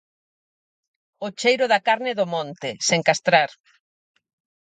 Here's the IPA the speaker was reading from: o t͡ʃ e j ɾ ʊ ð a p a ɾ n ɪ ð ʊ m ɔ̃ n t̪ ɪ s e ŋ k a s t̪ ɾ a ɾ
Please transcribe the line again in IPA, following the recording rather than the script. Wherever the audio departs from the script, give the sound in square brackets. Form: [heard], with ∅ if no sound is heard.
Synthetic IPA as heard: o t͡ʃ e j ɾ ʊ ð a [k] a ɾ n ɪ ð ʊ m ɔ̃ n t̪ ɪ s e ŋ k a s t̪ ɾ a ɾ